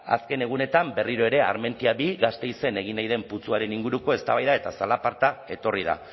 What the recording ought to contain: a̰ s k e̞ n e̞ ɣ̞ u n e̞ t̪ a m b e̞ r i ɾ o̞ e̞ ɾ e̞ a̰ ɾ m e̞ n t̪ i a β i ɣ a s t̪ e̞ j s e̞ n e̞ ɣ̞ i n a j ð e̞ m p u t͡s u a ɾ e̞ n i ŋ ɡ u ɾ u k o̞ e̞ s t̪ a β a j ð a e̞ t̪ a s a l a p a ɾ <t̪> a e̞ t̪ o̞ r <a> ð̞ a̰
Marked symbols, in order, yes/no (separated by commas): yes, no